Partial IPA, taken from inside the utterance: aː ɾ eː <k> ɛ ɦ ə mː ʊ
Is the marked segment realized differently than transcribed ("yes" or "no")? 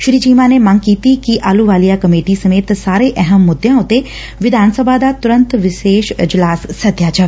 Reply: yes